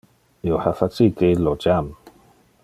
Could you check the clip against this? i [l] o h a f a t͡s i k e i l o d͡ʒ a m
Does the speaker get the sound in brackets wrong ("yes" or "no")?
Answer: yes